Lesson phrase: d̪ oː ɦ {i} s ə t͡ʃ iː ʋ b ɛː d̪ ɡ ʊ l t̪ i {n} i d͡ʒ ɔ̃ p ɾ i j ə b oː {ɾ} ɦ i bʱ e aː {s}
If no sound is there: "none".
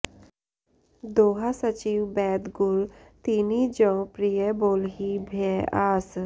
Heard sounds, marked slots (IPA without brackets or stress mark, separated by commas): a, n, l, s